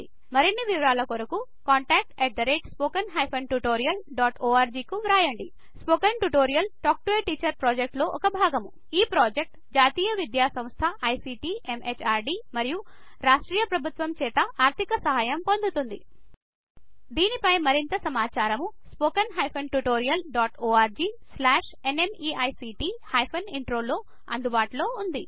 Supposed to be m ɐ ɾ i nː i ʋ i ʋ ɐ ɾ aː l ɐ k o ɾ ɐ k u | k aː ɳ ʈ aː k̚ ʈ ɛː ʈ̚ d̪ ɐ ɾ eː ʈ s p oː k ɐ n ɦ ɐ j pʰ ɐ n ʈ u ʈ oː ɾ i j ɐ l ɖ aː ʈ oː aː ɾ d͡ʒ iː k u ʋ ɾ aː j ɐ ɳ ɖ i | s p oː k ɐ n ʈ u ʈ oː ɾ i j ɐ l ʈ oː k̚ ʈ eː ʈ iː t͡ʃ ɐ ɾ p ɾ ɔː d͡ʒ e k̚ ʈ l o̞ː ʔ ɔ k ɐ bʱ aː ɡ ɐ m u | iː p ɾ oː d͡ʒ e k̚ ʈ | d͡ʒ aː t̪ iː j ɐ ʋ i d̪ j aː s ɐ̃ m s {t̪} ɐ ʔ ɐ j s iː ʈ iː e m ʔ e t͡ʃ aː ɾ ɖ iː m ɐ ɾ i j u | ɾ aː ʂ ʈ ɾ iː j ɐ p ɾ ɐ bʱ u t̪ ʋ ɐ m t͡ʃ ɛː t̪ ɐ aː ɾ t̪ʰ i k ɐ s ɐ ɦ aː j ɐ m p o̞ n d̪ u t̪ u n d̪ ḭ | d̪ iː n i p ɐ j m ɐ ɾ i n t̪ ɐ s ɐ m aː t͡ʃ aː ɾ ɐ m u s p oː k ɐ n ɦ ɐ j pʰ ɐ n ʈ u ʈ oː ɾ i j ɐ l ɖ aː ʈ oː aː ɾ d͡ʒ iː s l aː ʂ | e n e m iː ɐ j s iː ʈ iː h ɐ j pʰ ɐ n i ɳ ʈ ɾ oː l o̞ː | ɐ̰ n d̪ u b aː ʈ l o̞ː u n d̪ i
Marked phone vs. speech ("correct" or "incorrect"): incorrect